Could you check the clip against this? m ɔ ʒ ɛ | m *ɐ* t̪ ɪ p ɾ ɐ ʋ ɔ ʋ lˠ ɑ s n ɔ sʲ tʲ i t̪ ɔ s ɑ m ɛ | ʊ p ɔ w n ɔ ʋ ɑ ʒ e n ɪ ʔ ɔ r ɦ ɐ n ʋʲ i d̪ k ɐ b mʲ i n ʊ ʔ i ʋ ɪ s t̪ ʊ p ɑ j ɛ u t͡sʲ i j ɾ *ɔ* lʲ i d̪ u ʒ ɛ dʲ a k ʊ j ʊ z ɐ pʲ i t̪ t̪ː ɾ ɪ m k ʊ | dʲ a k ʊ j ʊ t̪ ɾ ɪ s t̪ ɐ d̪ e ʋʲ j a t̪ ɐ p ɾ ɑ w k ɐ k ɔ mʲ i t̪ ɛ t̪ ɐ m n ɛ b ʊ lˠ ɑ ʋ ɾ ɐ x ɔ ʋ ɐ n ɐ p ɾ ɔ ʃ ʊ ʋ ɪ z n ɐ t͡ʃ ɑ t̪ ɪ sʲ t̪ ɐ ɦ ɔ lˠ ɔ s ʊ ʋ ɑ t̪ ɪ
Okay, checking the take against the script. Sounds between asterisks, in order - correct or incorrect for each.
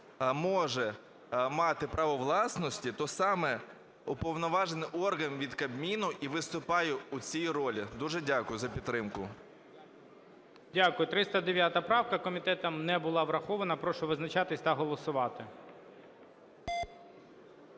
incorrect, correct

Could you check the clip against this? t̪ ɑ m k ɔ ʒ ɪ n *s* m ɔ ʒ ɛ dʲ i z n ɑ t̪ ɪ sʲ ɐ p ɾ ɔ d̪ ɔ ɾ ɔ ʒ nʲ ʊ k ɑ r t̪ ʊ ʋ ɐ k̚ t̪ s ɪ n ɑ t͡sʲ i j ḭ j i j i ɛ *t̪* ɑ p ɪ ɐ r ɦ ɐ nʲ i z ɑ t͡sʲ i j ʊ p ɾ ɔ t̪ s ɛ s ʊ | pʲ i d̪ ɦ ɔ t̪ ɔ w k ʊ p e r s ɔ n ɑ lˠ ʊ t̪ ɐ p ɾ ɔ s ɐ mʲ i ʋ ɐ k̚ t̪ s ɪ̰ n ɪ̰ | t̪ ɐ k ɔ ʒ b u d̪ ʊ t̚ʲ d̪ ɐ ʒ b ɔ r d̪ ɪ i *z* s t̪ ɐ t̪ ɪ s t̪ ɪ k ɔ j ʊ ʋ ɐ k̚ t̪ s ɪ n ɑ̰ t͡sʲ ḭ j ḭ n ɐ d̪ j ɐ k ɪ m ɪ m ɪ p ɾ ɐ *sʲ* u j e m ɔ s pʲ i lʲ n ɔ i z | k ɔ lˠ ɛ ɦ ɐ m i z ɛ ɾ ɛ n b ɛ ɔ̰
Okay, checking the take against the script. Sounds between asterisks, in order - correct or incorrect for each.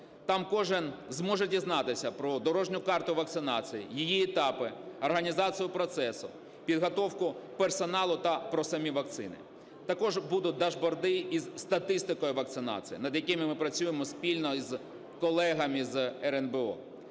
incorrect, correct, correct, incorrect

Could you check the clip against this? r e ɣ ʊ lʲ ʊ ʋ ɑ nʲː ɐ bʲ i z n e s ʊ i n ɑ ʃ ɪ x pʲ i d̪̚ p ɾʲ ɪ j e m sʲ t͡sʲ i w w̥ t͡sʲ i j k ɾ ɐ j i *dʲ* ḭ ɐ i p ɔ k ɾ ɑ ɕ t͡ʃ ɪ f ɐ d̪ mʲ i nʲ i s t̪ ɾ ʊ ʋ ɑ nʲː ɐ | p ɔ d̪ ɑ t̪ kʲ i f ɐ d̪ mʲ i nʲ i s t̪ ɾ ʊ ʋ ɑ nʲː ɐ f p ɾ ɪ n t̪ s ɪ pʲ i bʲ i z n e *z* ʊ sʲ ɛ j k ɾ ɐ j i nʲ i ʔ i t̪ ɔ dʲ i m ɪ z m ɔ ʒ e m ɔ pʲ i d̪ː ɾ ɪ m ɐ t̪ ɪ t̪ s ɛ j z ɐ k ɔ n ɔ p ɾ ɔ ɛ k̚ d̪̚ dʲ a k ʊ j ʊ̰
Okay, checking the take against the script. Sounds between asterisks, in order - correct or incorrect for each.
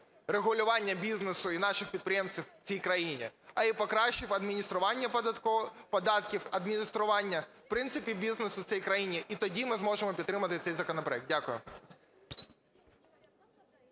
incorrect, incorrect

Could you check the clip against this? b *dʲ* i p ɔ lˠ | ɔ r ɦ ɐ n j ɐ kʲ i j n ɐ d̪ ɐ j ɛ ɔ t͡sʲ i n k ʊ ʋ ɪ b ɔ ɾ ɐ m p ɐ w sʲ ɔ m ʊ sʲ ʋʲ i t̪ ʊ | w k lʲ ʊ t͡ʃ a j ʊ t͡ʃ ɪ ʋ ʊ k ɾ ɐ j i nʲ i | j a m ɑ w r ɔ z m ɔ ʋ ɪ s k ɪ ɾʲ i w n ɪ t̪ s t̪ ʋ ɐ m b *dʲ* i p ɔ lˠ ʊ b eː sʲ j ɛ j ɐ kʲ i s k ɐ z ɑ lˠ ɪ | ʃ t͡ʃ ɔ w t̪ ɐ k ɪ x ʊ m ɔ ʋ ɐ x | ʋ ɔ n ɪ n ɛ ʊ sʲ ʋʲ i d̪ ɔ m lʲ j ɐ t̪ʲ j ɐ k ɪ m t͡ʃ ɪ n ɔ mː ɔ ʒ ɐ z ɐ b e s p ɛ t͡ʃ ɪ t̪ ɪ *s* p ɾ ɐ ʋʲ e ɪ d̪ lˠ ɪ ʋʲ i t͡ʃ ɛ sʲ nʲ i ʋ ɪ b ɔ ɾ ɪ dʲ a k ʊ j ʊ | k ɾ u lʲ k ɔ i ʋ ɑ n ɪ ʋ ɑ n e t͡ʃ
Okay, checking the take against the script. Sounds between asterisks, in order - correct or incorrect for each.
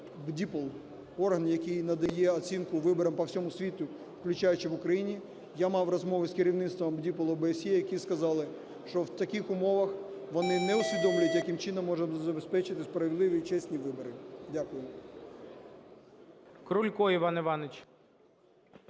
correct, correct, correct

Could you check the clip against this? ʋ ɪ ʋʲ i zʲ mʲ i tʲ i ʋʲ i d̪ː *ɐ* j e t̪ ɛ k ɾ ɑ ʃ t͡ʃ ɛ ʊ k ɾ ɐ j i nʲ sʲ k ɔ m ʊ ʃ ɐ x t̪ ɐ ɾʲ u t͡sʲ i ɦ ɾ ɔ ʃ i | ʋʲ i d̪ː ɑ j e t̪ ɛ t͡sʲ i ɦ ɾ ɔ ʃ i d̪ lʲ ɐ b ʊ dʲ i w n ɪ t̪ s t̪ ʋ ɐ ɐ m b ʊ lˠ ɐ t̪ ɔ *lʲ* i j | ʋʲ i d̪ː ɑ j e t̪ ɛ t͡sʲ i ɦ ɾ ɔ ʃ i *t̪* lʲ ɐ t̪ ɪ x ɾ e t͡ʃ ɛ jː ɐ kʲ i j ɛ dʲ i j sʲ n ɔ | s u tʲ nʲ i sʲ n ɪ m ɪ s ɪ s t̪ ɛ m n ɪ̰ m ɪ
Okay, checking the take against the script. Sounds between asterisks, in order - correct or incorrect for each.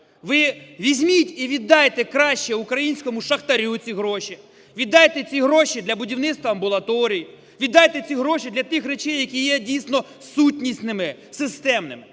incorrect, incorrect, incorrect

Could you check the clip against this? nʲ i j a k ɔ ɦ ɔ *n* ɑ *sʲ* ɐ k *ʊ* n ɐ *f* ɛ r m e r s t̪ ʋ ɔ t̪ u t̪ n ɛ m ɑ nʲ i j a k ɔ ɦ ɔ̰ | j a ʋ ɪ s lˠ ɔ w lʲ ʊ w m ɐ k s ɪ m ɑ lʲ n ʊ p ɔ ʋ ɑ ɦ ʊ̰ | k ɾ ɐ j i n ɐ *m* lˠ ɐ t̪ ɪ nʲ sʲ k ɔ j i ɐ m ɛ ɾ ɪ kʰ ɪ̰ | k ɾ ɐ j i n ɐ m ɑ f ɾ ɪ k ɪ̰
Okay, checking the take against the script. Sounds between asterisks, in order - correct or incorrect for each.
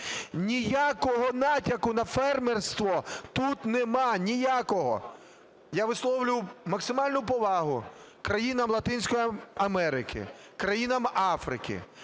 correct, incorrect, correct, correct, correct

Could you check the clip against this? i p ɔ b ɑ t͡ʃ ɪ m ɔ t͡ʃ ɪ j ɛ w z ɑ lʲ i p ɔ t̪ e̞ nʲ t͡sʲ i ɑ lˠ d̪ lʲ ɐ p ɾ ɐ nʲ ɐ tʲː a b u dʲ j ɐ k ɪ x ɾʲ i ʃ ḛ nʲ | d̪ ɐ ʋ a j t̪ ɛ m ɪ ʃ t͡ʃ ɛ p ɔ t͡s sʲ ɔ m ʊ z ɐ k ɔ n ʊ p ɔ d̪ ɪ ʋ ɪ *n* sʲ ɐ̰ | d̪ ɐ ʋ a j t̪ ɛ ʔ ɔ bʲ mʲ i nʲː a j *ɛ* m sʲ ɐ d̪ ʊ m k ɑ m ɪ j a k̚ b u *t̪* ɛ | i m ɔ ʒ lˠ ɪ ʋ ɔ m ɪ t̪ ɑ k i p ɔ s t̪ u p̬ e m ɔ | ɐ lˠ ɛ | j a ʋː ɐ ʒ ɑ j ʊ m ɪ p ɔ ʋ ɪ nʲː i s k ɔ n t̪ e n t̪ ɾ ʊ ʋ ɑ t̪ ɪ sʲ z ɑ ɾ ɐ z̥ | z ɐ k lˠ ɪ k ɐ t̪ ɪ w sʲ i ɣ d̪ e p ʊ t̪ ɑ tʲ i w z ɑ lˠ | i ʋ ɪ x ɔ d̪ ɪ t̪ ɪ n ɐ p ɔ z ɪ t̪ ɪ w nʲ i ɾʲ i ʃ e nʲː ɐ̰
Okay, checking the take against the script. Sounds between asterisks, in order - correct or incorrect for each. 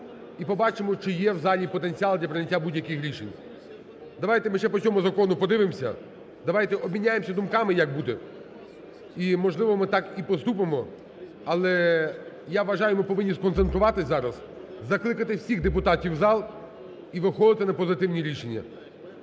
incorrect, incorrect, incorrect

